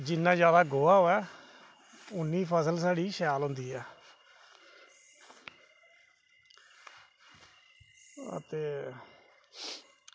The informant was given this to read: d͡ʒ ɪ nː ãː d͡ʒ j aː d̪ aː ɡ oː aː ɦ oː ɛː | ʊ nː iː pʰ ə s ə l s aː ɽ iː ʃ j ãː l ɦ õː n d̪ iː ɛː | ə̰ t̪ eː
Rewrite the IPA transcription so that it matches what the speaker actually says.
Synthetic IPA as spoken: d͡ʒ ɪ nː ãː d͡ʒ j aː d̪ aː ɡ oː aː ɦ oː ɛː | ʊ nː iː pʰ ə s ə l s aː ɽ iː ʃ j aː l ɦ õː n d̪ iː ɛː | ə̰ t̪ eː

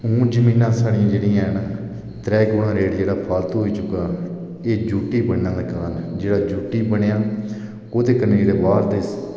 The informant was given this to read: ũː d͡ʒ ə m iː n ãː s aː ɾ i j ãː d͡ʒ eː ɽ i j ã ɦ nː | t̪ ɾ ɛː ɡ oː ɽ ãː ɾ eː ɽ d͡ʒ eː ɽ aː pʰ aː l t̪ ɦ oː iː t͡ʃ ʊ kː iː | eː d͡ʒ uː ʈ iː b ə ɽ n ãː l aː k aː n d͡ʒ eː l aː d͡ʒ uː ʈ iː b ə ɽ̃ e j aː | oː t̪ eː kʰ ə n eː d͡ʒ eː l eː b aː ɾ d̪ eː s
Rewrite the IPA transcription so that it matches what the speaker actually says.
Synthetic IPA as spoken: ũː d͡ʒ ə m iː n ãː s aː ɽ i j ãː d͡ʒ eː ɽ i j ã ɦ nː | t̪ ɾ ɛː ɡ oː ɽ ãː ɾ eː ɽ d͡ʒ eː ɽ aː pʰ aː l t̪ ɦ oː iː t͡ʃ ʊ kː aː | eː d͡ʒ uː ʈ iː b ə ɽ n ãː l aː k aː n d͡ʒ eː ɽ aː d͡ʒ uː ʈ iː b ə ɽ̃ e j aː | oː t̪ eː k ə n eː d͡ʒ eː ɽ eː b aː ɾ d̪ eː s

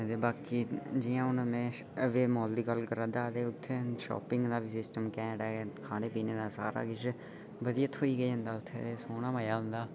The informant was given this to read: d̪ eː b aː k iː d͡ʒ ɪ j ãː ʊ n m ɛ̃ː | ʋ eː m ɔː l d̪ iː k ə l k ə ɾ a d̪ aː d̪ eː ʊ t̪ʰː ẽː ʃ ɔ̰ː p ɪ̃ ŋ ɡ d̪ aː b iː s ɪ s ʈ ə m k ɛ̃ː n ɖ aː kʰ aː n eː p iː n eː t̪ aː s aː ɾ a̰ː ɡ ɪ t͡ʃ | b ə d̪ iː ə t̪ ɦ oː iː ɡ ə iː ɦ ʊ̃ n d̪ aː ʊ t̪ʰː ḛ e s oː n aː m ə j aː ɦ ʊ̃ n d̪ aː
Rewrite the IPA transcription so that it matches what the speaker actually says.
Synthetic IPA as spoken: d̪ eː b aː k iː d͡ʒ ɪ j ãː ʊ n m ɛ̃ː | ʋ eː m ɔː l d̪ iː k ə l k ə ɾ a d̪ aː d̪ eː ʊ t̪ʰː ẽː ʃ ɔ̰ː p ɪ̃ ŋ ɡ d̪ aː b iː s ɪ s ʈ ə m k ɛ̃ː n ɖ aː kʰ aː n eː p iː n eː d̪ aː s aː ɾ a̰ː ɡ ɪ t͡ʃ | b ə d̪ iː ə t̪ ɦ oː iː ɡ ə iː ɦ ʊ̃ n d̪ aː ʊ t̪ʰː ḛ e s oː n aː m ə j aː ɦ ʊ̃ n d̪ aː

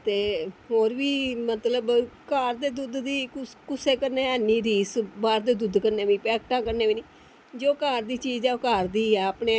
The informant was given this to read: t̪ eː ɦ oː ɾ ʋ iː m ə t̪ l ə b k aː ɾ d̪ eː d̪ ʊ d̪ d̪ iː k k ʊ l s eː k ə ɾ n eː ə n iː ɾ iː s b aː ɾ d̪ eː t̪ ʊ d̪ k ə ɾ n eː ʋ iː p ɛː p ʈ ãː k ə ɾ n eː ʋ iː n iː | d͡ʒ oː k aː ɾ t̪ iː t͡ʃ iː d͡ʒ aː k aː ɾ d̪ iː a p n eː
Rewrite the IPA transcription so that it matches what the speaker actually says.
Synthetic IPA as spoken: t̪ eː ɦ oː ɾ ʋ iː m ə t̪ l ə b k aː ɾ d̪ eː d̪ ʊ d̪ d̪ iː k k ʊ s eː k ə ɾ n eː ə n iː ɾ iː s b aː ɾ d̪ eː d̪ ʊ d̪ k ə ɾ n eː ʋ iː p ɛː k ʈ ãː k ə ɾ n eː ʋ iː n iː | d͡ʒ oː k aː ɾ d̪ iː t͡ʃ iː d͡ʒ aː k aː ɾ d̪ iː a p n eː

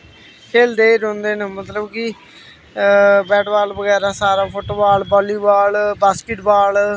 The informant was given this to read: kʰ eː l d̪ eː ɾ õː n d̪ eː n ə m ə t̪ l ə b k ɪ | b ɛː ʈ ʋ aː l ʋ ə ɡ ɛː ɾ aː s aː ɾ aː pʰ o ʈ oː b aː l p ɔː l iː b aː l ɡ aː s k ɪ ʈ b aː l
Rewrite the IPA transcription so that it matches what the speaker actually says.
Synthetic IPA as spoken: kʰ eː l d̪ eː ɾ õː n d̪ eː n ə m ə t̪ l ə b k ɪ | b ɛː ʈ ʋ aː l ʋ ə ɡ ɛː ɾ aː s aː ɾ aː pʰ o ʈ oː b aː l b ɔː l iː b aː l b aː s k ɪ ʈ b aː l

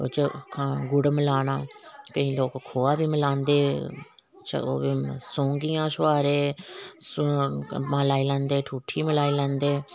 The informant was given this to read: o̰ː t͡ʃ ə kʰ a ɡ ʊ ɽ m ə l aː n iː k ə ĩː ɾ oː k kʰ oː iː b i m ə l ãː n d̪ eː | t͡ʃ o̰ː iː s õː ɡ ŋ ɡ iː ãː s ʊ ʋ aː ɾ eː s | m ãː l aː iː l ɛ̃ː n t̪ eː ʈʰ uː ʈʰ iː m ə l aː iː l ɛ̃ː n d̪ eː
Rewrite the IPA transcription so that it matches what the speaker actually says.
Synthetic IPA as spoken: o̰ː t͡ʃ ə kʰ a ɡ ʊ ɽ m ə l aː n aː k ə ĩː l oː k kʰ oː aː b iː m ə l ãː n d̪ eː | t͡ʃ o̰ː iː s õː ŋ ɡ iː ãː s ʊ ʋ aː ɾ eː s | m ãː l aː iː l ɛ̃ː n d̪ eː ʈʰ uː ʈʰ iː m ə l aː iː l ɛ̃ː n d̪ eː

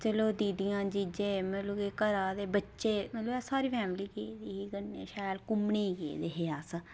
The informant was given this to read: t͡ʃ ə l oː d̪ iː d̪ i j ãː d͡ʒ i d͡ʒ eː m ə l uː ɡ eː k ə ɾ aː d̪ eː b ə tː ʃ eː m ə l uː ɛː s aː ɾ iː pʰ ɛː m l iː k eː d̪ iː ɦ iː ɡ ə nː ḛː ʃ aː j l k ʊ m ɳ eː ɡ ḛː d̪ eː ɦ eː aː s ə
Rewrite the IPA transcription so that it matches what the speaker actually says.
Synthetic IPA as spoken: t͡ʃ ə l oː d̪ iː d̪ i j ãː d͡ʒ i d͡ʒ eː m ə l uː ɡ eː k ə ɾ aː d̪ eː b ə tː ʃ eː m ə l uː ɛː s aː ɾ iː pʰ ɛː m l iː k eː d̪ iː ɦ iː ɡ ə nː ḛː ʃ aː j l k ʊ m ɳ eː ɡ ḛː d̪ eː ɦ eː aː s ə

